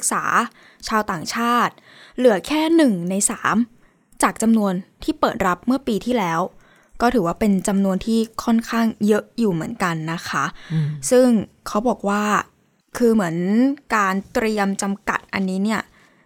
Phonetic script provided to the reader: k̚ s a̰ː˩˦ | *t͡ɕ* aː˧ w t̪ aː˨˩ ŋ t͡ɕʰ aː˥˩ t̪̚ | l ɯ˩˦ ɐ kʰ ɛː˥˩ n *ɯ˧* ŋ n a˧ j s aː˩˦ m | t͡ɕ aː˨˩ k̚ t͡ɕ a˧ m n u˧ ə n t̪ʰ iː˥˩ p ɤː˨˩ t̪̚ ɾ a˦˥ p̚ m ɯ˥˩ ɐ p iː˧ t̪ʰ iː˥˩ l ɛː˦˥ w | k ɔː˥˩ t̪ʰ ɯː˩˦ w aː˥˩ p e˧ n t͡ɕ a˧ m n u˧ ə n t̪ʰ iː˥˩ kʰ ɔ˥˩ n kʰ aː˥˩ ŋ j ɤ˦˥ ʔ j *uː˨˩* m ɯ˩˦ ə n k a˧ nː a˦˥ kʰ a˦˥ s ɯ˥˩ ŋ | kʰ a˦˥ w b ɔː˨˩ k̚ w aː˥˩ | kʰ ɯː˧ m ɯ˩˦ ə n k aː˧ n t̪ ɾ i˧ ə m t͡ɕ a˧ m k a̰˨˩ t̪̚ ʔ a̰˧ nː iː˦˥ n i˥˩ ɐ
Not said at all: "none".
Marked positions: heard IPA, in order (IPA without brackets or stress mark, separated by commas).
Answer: t͡ɕʰ, ɯ˨˩, uː˨˩